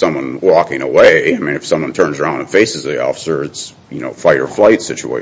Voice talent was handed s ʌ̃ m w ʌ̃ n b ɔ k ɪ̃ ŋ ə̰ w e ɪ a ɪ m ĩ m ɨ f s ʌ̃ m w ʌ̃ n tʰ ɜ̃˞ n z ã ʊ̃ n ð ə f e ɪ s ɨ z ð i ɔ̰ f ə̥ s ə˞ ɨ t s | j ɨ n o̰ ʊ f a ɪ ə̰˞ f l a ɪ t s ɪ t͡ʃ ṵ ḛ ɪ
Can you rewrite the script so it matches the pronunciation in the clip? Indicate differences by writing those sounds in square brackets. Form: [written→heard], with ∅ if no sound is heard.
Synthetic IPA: s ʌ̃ m w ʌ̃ n [b→w] ɔ k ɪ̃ ŋ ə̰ w e ɪ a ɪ m ĩ [m→n] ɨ f s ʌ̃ m w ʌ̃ n tʰ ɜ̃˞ n z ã ʊ̃ n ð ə f e ɪ s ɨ z ð i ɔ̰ f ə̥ s ə˞ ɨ t s | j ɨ n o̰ ʊ f a ɪ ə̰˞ f l a ɪ t s ɪ t͡ʃ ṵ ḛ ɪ